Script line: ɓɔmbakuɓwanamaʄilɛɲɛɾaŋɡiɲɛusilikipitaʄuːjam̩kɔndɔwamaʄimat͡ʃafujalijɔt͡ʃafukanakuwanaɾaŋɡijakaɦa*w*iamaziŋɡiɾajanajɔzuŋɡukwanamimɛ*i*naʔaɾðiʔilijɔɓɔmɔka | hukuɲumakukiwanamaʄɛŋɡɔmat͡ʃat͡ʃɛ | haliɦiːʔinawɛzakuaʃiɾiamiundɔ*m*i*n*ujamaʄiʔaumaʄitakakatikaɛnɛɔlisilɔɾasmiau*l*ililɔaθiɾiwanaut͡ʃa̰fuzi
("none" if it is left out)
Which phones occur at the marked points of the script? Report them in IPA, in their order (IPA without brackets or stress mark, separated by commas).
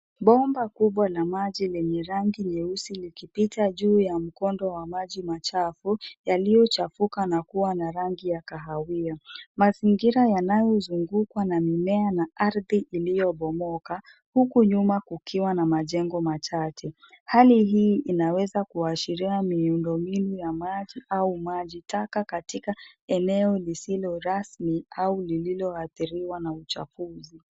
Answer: w, a, m, n, l